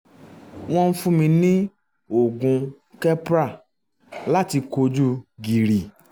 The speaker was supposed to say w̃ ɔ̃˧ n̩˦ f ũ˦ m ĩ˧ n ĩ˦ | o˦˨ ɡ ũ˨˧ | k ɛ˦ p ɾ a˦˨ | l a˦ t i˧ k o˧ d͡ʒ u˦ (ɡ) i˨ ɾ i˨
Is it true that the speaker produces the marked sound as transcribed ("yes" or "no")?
yes